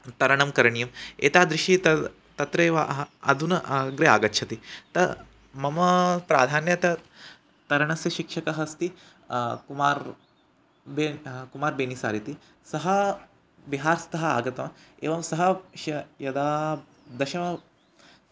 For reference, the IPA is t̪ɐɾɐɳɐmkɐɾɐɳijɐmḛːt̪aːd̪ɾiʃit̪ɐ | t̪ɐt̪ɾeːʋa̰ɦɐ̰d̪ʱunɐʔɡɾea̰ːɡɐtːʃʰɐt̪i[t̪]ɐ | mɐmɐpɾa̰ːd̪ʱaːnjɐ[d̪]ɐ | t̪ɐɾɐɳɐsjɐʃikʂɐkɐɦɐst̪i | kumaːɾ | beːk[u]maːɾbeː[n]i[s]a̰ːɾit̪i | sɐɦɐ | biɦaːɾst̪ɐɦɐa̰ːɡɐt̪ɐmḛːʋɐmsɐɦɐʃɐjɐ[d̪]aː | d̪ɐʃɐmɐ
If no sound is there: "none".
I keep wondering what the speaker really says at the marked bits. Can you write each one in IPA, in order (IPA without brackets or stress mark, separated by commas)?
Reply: t̪, t̪, u, n, s, d̪